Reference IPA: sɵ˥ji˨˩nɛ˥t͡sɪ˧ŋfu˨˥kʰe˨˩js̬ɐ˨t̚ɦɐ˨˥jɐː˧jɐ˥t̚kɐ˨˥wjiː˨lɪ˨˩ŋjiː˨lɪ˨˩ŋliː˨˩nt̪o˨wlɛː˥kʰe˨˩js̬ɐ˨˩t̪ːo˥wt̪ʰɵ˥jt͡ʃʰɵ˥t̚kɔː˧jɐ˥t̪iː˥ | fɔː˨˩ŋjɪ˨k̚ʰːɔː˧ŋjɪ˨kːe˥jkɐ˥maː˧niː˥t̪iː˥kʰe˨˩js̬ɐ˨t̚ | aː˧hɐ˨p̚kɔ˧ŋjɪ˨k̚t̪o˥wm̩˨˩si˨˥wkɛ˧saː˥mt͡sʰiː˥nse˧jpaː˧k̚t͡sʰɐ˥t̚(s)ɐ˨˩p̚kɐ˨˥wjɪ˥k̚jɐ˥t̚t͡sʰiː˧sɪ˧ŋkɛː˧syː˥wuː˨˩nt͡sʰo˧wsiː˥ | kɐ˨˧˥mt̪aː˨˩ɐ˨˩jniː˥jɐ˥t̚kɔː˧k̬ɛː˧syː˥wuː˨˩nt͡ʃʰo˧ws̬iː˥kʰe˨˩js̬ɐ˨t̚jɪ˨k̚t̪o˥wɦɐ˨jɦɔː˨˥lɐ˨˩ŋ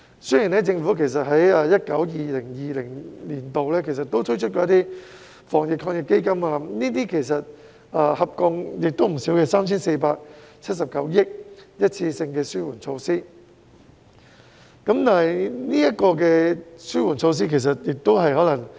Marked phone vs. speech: correct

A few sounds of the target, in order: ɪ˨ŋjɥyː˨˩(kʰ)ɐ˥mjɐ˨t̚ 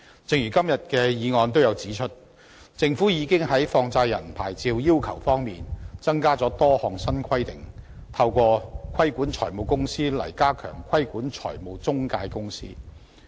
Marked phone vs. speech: incorrect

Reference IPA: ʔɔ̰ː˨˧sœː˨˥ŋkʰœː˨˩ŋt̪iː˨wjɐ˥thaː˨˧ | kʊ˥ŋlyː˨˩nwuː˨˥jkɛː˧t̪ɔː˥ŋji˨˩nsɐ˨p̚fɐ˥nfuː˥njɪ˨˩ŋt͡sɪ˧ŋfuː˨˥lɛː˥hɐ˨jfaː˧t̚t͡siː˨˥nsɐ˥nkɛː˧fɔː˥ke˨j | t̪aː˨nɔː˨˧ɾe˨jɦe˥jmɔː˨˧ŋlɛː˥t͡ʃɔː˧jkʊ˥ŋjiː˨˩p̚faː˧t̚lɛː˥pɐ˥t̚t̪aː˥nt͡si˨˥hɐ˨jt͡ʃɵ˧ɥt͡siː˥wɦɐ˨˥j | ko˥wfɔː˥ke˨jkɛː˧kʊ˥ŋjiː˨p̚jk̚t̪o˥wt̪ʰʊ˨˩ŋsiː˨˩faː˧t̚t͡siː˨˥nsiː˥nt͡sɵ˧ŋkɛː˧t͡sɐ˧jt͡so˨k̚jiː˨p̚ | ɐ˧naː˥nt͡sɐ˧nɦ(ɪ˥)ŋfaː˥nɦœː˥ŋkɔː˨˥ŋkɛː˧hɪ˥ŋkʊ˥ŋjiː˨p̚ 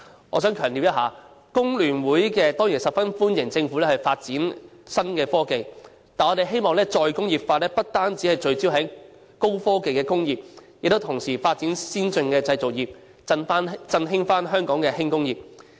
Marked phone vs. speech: correct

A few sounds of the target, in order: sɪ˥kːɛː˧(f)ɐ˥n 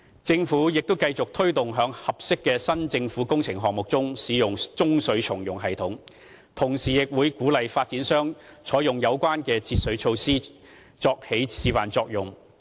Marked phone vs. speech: incorrect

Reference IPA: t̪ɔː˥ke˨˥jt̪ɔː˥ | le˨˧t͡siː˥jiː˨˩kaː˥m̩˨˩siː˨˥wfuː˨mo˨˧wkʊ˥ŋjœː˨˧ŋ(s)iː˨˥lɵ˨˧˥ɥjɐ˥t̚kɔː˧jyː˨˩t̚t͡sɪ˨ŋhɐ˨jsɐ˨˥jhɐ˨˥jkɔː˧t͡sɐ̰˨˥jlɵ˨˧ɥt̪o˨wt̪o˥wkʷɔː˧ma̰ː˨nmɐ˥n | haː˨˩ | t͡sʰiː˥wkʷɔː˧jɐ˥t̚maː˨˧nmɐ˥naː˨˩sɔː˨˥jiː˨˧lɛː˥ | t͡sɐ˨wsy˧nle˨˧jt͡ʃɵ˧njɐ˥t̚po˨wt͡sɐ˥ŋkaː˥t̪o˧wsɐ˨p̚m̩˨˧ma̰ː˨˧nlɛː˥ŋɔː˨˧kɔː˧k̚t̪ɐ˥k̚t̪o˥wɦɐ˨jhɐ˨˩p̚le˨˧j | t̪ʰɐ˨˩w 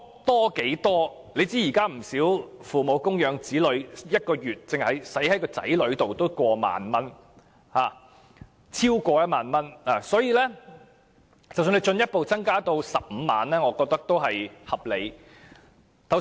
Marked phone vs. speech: incorrect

